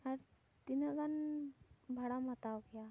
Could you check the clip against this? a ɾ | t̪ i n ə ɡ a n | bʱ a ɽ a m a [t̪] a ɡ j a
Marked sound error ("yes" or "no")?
no